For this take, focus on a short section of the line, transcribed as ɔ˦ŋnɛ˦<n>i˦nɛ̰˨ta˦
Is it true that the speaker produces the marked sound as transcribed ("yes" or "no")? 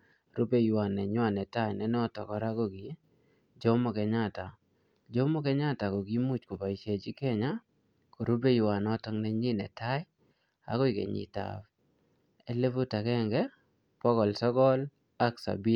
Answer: no